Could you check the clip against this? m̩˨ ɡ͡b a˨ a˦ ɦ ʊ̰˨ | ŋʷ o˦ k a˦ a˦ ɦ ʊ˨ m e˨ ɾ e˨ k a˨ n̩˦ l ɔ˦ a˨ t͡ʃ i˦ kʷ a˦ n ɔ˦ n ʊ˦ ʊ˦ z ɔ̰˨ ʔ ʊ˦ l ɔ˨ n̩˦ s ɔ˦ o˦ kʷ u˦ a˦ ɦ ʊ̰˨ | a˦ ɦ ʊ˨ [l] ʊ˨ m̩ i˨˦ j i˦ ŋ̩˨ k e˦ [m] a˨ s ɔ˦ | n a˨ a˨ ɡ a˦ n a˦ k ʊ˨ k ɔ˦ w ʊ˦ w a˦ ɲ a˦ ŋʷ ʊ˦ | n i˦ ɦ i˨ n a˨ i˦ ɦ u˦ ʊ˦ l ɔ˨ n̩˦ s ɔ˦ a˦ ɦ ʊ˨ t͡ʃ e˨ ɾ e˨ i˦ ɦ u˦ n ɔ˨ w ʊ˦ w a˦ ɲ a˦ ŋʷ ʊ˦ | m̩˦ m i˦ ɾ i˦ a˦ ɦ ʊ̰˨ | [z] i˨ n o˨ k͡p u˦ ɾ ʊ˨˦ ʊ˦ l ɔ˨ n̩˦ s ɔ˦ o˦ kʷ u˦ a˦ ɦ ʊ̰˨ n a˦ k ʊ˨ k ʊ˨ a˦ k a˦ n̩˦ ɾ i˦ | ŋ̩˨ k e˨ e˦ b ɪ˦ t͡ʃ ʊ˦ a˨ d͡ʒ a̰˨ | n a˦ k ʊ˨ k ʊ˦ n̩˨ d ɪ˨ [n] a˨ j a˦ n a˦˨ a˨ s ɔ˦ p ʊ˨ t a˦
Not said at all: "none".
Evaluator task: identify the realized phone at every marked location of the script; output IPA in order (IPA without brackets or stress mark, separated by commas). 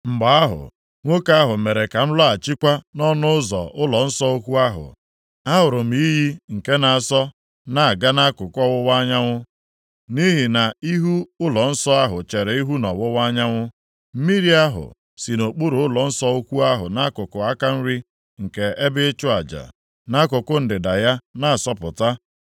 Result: ɾ, n, s, d